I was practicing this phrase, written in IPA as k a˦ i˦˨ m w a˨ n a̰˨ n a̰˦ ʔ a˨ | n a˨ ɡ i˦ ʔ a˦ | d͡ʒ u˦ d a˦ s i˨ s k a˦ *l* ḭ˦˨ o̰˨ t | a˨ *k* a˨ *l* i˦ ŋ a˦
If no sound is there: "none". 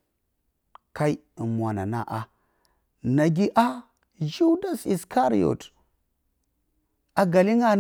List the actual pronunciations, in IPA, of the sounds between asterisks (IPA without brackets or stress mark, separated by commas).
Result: ɾ, ɡ, l